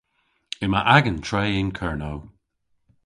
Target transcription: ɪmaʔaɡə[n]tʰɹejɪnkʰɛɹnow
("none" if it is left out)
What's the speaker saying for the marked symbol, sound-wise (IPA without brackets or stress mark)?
n